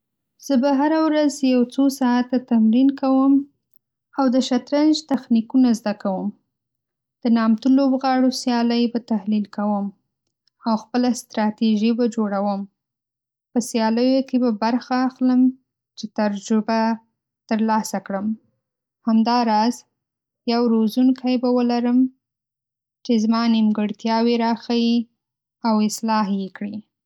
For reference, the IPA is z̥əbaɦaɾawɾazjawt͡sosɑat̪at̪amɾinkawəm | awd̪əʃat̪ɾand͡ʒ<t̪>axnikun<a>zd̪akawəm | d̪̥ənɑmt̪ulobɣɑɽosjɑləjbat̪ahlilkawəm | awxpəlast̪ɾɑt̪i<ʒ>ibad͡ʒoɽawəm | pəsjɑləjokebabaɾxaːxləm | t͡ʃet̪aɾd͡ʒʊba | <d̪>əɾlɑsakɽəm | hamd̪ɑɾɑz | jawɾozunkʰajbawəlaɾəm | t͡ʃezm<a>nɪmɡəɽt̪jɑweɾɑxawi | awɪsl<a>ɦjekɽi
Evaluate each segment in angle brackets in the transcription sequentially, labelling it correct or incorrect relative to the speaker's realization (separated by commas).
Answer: correct, correct, correct, incorrect, incorrect, incorrect